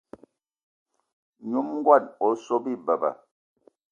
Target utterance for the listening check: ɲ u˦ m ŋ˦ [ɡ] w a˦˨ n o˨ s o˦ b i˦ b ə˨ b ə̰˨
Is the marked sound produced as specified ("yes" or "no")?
yes